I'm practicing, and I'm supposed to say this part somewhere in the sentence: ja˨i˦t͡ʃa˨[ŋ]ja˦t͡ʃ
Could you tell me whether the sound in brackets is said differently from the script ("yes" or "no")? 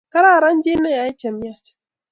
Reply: yes